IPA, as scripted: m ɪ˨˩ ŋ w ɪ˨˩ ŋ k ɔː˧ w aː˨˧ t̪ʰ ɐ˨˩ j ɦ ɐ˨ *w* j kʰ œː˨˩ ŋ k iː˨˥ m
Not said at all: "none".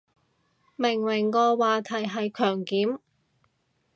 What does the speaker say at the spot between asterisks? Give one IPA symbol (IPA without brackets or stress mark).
none